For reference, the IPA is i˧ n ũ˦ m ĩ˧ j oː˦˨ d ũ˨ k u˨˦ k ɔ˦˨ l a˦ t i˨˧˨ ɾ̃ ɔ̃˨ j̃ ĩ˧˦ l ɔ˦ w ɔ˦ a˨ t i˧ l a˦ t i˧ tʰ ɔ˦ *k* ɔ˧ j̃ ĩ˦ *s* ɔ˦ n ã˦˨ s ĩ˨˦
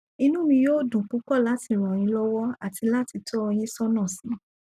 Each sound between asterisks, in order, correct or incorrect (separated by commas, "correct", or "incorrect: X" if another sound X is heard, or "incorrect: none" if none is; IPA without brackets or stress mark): incorrect: none, correct